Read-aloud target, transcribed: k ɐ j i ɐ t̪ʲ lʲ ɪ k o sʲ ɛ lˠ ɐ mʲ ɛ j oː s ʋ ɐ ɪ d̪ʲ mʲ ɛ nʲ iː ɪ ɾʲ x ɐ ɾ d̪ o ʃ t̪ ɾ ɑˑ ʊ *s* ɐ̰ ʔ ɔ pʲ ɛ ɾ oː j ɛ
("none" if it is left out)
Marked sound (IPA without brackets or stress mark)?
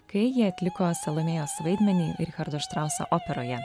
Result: s